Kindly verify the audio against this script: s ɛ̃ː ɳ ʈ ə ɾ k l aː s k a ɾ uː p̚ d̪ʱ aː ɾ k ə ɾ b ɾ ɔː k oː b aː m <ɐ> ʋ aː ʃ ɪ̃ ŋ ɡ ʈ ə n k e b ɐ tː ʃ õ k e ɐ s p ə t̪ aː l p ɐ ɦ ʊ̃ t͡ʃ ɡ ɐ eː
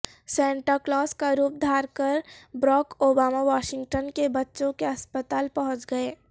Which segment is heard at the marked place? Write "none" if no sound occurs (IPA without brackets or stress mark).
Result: a